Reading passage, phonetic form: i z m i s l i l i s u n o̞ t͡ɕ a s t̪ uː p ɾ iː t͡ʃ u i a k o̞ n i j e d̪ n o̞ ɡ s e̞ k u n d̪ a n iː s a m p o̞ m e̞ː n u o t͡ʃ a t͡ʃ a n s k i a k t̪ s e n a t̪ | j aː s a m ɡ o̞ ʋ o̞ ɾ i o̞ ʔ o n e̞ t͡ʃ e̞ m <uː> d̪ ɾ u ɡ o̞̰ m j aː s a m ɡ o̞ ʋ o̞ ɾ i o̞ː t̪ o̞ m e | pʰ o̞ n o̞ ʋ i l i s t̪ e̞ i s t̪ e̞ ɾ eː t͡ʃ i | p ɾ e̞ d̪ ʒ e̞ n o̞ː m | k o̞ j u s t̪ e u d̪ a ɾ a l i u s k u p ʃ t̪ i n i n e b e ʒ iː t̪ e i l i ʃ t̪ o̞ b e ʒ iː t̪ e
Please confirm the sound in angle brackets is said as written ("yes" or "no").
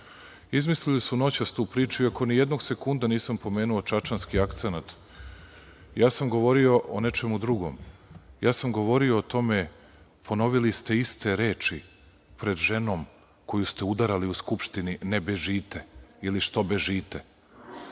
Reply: no